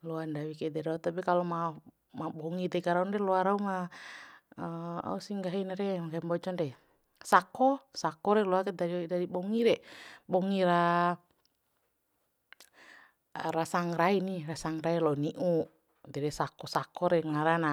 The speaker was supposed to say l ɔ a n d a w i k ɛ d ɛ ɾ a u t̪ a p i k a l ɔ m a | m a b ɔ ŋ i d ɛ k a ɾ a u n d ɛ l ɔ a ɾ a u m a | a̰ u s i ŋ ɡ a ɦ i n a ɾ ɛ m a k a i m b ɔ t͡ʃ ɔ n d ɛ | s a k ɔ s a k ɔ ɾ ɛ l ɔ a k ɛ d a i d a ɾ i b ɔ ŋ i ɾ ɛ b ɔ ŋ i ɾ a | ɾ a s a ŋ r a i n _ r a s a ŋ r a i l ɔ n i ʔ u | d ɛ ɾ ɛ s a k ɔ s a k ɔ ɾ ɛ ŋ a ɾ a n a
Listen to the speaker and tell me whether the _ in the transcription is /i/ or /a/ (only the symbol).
i